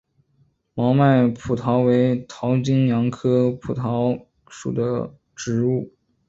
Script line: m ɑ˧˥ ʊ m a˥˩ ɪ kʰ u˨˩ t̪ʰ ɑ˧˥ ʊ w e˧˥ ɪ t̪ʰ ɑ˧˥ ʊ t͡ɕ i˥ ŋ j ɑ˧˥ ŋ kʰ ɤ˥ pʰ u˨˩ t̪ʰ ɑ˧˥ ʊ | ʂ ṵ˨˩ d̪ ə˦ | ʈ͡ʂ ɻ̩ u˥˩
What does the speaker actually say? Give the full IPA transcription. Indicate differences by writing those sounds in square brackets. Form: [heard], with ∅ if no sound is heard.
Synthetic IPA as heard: m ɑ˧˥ ʊ m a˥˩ ɪ [pʰ] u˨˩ t̪ʰ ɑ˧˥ ʊ w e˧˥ ɪ t̪ʰ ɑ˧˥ ʊ t͡ɕ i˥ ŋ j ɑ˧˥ ŋ kʰ ɤ˥ pʰ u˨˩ t̪ʰ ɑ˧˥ ʊ | ʂ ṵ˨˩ d̪ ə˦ | ʈ͡ʂ ɻ̩ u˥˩